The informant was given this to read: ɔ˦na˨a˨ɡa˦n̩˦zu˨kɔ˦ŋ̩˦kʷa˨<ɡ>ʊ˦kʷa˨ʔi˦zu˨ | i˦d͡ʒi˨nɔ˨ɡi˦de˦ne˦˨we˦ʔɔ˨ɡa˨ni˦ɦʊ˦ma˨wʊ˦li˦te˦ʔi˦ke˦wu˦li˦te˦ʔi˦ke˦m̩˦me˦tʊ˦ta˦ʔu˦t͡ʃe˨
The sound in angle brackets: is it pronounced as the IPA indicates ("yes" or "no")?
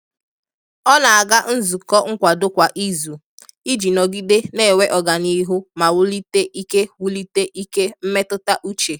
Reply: no